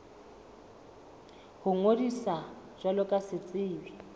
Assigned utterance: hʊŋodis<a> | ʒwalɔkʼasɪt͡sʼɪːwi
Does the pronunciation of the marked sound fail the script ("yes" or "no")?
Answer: no